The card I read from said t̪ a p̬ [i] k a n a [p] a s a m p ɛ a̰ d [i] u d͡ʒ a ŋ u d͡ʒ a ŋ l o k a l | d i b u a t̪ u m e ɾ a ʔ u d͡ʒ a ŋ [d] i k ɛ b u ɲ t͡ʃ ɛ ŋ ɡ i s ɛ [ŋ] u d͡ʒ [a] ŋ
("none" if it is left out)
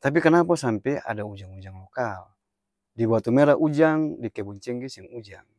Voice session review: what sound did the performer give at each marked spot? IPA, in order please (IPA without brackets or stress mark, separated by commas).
i, p, a, d, ŋ, a